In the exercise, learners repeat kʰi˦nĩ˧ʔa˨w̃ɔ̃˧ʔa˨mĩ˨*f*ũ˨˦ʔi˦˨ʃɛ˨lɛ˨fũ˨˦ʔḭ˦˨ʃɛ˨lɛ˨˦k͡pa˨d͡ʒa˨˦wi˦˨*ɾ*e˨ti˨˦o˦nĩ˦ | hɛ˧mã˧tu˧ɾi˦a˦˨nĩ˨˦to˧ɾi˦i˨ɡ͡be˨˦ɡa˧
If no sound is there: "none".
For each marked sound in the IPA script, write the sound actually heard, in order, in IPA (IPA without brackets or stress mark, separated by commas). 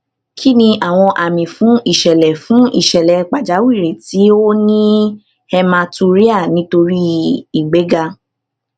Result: f, ɾ